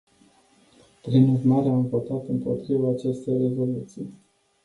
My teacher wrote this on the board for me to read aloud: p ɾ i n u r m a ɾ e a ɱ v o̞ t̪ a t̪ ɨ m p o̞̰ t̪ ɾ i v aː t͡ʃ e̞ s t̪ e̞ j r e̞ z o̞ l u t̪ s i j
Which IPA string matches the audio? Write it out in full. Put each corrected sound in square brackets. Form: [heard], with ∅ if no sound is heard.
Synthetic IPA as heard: p ɾ i n u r m a ɾ e a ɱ v o̞ t̪ a t̪ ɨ m p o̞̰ t̪ ɾ i v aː t͡ʃ e̞ s t̪ e̞ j r e̞ z o̞ l u t̪ s i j